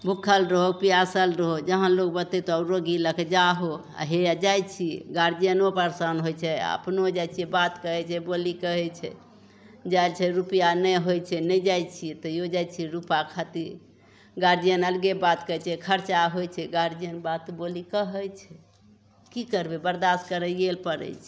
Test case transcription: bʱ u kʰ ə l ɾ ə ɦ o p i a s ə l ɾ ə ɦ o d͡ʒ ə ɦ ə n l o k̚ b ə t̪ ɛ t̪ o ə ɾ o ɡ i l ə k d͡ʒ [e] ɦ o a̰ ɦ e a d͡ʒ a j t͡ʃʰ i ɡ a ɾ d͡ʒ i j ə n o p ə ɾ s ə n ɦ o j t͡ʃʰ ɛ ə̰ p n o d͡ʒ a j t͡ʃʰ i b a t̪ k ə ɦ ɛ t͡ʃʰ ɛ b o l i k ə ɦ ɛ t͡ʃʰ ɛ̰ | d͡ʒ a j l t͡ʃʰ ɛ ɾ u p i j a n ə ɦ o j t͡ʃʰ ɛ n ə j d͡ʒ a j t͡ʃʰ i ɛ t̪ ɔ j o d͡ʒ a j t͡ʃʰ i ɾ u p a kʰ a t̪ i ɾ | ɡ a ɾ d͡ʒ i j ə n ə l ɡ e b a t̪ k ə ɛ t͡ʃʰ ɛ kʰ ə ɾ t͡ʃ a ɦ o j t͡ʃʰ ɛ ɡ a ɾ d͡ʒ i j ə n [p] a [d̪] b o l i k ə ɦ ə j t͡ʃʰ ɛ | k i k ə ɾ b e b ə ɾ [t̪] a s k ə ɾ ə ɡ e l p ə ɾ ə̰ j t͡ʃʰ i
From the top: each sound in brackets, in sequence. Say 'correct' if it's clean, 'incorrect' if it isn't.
incorrect: a, incorrect: b, incorrect: t̪, incorrect: d̪

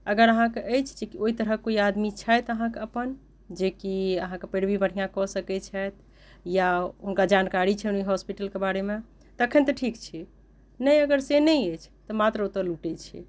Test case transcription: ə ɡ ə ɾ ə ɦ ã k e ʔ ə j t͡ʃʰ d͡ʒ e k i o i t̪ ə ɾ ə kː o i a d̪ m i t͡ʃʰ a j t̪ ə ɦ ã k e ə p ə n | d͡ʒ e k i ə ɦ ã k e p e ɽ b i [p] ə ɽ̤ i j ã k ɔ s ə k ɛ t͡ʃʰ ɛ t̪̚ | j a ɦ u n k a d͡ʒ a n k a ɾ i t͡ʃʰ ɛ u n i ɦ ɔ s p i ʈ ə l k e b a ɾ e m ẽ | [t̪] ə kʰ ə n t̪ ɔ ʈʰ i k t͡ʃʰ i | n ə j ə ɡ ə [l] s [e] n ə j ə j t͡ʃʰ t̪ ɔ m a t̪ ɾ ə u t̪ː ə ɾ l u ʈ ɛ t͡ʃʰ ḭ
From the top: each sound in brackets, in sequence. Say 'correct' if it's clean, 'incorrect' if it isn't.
incorrect: b, correct, incorrect: ɾ, correct

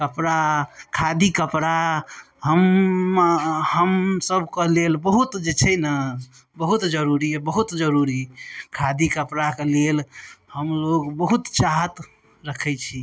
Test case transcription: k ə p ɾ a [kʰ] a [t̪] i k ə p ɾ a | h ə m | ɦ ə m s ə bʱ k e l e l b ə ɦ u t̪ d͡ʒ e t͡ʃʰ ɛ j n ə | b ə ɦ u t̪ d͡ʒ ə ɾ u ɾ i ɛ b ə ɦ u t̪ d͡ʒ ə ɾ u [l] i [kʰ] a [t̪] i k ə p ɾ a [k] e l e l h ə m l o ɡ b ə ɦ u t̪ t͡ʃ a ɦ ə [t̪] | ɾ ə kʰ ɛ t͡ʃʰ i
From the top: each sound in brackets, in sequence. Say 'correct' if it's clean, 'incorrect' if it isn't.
correct, incorrect: d̪, incorrect: ɾ, correct, incorrect: d̪, correct, correct

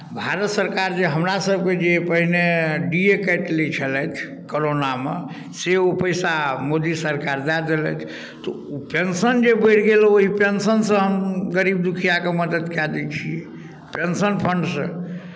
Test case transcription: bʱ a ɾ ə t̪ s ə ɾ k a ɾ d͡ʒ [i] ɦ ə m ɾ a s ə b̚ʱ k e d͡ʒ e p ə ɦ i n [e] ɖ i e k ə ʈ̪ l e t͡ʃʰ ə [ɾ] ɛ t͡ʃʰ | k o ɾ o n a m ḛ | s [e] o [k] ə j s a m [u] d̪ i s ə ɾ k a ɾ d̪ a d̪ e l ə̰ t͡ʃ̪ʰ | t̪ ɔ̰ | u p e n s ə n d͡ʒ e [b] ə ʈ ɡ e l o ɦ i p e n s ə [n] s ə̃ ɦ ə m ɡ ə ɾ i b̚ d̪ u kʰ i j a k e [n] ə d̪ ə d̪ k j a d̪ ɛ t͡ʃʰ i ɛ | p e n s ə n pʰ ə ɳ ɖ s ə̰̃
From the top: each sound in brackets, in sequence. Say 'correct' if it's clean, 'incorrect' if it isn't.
incorrect: e, correct, incorrect: l, correct, incorrect: p, incorrect: o, correct, correct, incorrect: m

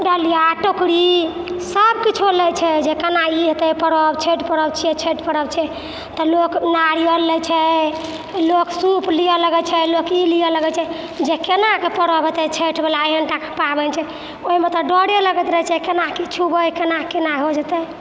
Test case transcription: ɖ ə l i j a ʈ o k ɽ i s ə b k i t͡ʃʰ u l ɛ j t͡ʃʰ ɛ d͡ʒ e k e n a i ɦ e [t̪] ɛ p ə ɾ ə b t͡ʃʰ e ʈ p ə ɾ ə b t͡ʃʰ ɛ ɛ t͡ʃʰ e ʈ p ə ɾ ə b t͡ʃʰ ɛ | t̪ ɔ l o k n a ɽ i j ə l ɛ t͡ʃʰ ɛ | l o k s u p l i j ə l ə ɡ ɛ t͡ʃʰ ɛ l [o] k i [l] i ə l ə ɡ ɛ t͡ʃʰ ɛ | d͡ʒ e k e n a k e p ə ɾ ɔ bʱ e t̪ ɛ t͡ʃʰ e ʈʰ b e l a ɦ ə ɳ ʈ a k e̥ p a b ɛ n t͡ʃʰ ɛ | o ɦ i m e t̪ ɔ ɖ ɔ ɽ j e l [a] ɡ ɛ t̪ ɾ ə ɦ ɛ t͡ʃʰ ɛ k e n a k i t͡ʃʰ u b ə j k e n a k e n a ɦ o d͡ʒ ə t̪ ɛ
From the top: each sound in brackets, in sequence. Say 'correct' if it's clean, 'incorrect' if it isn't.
correct, correct, correct, incorrect: ə

